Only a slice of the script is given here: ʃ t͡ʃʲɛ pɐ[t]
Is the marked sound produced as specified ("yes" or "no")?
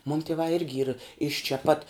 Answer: yes